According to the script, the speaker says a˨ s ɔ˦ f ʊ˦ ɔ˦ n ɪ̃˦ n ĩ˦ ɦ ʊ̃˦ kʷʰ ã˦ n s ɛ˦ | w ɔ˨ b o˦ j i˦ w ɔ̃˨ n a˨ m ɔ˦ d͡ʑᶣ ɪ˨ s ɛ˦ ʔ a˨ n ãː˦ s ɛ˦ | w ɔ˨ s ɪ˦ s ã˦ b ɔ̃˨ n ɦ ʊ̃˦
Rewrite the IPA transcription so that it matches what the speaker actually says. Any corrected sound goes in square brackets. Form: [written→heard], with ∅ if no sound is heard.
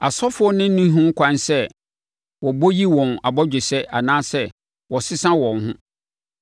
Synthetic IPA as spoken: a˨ s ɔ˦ f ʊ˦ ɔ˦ n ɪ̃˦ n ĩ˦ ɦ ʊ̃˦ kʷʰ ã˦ n s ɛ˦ | w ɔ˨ b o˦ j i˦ w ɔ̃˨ n a˨ [m→b] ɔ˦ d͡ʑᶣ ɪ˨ s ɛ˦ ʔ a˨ n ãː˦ s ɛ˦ | w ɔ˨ s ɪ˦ s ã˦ [b→w] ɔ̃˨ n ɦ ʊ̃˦

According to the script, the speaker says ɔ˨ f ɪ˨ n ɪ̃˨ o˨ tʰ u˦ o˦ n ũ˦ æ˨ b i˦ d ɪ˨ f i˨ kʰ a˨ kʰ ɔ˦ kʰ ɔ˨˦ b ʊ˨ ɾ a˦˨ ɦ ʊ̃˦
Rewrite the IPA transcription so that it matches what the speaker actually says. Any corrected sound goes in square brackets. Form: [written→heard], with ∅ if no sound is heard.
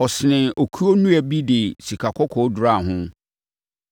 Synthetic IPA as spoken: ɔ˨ [f→s] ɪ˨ n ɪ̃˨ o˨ [tʰ→kʰ] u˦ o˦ n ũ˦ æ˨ b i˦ d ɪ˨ [f→s] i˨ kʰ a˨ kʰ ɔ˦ kʰ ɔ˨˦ [b→d] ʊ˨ ɾ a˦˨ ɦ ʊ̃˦

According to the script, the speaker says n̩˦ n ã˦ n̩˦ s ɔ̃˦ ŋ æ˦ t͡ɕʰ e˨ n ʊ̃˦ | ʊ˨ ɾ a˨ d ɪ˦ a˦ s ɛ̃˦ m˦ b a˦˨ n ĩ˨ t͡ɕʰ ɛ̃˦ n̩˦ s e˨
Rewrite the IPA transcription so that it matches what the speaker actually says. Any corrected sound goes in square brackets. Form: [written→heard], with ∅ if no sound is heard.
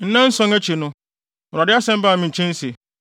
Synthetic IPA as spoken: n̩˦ n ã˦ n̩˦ s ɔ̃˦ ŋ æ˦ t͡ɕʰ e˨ n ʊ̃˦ | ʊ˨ ɾ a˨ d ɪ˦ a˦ s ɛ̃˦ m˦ b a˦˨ [n→m] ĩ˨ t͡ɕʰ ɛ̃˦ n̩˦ s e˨

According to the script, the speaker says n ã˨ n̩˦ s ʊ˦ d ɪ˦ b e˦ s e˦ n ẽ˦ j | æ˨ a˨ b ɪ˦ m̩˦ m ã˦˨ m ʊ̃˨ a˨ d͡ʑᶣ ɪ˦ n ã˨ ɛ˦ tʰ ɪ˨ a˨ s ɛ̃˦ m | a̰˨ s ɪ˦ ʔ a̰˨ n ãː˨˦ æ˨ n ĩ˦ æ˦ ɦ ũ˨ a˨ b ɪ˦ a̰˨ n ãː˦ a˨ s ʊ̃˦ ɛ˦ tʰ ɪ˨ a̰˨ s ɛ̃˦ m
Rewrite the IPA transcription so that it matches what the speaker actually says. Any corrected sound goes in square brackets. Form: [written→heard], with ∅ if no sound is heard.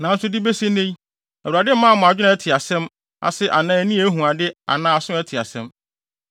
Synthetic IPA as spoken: n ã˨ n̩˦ s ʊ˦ d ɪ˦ b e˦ s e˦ n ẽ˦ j | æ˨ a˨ [b→d] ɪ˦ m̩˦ m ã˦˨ m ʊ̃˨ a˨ d͡ʑᶣ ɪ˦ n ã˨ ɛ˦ tʰ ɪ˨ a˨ s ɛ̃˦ m | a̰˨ s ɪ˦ ʔ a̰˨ n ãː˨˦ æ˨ n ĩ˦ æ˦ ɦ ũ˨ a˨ [b→d] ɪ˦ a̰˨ n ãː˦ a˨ s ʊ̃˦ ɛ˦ tʰ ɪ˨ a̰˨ s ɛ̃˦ m

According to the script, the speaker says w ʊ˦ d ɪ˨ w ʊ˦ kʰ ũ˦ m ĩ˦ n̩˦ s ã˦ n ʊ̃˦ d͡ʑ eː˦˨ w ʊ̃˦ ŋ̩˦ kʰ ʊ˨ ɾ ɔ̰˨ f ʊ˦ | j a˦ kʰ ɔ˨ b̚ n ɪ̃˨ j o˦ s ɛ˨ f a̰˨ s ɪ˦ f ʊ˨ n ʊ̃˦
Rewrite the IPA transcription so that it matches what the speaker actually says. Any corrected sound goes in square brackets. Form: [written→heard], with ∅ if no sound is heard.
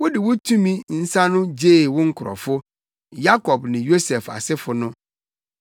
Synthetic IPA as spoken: w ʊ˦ d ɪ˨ w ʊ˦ [kʰ→tʰ] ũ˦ m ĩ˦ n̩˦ s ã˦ n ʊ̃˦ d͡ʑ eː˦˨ w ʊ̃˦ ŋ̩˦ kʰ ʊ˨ ɾ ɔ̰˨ f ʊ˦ | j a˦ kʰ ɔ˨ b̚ n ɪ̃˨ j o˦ s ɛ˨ f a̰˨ s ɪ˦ f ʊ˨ n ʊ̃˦

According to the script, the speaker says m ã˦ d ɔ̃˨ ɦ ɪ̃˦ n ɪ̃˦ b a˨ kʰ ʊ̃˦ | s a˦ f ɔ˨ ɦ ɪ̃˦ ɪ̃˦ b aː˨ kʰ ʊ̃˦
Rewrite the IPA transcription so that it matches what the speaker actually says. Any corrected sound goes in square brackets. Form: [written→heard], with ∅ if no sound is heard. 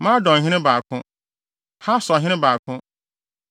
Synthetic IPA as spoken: m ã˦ d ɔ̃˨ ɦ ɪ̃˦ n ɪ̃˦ b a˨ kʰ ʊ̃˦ | [s→h] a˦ [f→s] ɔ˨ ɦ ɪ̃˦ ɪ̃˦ b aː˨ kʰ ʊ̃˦

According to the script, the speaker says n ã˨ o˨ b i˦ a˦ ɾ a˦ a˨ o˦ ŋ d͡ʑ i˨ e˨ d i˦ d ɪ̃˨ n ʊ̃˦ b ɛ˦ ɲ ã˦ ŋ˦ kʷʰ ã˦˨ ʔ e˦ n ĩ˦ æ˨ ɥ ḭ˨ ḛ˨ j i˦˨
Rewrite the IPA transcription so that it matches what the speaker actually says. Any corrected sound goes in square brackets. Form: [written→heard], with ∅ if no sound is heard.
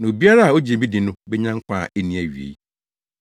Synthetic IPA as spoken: n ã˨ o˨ b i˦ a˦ ɾ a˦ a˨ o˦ [ŋ→∅] d͡ʑ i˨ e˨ [d→b] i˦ d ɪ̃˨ n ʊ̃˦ b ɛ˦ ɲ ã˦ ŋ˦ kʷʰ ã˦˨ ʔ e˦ n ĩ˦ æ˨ ɥ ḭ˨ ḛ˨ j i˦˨

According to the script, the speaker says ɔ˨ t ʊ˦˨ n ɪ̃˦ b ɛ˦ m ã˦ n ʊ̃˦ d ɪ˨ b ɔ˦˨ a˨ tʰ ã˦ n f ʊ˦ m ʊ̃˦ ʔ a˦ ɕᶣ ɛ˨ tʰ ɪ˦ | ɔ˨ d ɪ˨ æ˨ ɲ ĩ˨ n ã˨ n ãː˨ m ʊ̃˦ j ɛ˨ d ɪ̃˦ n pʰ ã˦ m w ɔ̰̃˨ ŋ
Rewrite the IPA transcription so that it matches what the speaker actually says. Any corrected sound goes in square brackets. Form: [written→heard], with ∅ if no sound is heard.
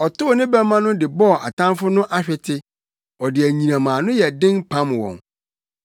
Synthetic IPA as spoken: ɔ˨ t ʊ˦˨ n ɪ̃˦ b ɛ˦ m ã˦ n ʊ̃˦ d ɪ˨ b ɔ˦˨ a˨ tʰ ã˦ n f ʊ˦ [m→n] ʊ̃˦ ʔ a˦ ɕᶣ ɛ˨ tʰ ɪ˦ | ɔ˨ d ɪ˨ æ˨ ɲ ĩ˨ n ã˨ [n→m] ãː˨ [m→n] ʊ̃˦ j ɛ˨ d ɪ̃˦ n pʰ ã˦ m w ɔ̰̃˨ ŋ

